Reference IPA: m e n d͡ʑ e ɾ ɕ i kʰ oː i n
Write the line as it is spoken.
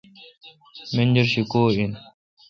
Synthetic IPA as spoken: m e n d͡ʑ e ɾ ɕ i k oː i n